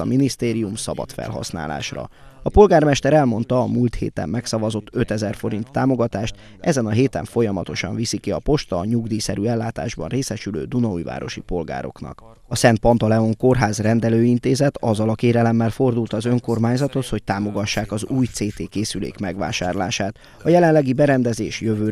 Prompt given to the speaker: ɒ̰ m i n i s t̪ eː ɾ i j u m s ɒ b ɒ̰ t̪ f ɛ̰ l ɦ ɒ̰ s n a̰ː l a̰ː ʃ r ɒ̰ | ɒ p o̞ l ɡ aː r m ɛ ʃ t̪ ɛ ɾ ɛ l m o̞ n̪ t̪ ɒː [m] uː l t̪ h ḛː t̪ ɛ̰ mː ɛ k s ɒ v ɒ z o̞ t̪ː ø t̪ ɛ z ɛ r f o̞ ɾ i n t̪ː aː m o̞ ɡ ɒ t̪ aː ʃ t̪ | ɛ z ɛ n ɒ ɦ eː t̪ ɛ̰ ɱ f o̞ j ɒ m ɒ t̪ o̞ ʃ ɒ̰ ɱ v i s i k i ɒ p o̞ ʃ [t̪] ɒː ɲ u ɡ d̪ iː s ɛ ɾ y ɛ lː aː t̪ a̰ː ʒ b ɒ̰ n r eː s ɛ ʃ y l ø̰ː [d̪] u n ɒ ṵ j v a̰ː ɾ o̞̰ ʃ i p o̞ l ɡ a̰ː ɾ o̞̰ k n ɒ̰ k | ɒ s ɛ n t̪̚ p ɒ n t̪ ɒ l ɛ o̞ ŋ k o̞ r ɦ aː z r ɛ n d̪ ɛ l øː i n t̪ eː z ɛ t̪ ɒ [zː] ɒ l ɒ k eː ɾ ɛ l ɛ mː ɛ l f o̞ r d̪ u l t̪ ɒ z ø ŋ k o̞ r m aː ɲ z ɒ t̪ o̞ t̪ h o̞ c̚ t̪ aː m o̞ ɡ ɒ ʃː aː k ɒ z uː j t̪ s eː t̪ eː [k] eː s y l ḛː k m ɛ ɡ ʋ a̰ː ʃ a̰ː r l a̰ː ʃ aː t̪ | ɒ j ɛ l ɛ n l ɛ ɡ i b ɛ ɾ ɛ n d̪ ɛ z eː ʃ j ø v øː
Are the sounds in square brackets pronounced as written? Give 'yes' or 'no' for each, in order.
yes, yes, yes, yes, yes

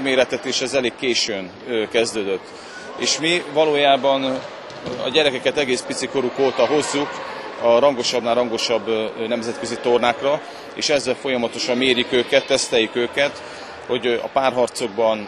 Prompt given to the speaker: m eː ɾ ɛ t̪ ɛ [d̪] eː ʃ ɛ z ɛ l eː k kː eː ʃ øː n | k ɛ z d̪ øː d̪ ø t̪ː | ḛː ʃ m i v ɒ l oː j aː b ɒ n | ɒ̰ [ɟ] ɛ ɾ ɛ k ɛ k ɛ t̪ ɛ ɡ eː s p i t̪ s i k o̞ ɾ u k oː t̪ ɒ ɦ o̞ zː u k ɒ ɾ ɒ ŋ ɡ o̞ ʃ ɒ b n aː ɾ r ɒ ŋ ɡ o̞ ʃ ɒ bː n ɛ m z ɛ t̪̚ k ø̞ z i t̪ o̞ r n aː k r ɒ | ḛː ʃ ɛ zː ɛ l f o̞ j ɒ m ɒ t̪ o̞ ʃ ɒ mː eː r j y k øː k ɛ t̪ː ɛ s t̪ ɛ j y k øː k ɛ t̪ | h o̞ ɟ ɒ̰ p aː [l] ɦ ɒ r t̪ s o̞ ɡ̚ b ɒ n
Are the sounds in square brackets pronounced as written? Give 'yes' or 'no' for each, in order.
no, yes, no

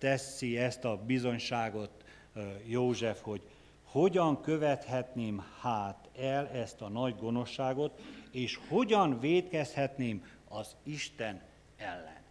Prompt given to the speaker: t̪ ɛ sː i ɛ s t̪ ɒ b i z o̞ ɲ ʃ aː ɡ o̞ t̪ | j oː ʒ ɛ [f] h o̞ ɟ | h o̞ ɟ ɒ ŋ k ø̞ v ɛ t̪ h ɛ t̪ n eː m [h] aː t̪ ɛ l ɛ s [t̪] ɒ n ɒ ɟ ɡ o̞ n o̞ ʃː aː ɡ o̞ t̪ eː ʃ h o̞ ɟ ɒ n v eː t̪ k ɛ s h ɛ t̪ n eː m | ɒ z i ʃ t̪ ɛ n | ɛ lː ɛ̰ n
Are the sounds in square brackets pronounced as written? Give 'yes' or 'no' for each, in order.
yes, yes, yes

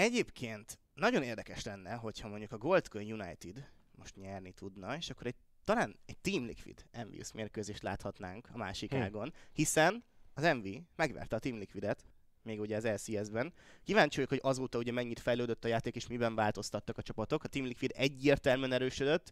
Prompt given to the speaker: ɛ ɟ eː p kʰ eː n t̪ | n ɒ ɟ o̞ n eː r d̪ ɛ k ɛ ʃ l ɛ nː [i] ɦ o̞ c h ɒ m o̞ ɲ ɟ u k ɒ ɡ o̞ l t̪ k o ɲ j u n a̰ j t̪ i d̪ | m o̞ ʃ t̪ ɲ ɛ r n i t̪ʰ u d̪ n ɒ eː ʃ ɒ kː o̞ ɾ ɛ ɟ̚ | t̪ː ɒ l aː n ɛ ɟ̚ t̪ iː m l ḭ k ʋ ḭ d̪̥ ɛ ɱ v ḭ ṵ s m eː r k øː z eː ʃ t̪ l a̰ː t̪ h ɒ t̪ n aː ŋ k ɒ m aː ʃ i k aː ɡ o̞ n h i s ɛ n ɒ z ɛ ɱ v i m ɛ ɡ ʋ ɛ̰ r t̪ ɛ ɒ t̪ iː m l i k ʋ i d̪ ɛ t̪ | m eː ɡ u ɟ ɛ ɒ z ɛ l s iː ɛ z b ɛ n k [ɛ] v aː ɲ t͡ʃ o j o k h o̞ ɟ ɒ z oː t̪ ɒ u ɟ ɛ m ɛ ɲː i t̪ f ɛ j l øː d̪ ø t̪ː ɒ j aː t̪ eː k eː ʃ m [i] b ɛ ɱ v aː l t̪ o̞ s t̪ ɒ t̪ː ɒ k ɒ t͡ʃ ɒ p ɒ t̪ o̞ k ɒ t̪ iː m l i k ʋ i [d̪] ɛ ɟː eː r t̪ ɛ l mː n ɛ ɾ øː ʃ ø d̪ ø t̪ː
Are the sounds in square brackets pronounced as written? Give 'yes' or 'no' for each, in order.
no, no, yes, yes

